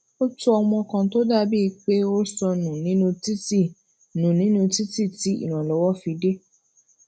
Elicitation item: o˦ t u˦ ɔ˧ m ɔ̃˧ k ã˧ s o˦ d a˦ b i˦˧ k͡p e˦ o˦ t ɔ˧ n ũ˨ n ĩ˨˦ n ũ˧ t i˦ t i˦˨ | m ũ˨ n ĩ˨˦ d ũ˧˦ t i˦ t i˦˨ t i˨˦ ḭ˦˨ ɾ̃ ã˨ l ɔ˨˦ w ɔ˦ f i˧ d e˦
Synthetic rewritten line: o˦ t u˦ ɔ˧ m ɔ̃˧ k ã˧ t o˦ d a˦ b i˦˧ k͡p e˦ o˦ s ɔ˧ n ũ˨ n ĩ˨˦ n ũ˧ t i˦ t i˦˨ | n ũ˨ n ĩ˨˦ n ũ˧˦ t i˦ t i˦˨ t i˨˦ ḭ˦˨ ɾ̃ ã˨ l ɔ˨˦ w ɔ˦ f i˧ d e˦